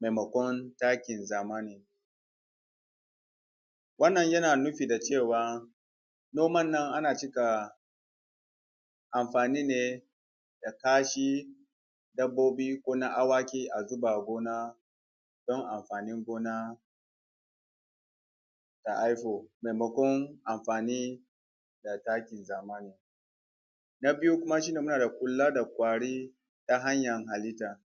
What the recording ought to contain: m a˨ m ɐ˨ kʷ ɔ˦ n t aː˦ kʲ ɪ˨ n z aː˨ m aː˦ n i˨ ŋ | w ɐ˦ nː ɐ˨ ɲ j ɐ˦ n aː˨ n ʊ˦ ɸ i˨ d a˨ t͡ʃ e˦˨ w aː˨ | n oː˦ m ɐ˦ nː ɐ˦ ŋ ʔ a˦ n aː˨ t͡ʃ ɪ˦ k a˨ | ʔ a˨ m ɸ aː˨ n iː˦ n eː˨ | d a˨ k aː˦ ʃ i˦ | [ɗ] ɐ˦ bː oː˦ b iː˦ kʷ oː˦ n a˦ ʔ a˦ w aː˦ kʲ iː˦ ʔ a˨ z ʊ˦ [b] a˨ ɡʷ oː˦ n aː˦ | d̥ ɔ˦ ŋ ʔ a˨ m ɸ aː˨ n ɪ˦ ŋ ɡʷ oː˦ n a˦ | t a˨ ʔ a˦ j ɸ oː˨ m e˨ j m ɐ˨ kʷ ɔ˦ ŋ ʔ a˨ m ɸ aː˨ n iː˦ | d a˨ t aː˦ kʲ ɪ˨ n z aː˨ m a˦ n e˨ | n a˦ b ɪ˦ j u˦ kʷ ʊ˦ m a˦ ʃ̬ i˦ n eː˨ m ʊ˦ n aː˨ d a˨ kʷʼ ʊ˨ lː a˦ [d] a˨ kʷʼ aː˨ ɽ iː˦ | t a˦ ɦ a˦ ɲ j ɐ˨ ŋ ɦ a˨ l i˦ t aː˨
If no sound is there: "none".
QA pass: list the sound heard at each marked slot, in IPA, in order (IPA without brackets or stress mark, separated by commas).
d, b, d